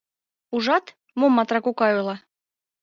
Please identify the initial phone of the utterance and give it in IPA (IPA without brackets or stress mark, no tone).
u